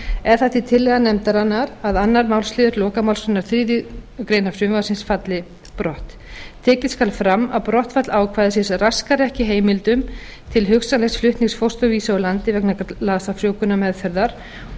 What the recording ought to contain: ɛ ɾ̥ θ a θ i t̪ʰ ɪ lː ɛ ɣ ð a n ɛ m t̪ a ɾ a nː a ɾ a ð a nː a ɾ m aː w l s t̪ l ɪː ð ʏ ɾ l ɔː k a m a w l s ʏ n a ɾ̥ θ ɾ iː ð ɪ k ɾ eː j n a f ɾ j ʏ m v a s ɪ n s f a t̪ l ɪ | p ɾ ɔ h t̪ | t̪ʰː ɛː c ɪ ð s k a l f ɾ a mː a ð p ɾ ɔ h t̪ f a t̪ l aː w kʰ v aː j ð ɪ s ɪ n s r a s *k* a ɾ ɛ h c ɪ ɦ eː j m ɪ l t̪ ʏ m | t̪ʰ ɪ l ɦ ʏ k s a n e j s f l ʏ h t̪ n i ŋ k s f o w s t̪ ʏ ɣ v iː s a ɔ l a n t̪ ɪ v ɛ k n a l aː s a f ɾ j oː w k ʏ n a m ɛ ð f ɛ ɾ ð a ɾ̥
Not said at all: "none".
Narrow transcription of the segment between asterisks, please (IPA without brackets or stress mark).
k